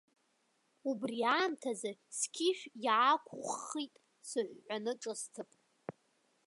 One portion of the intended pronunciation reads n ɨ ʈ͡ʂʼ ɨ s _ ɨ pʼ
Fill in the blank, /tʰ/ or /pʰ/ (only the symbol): tʰ